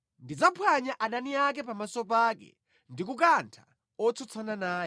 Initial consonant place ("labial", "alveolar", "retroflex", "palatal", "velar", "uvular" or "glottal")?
alveolar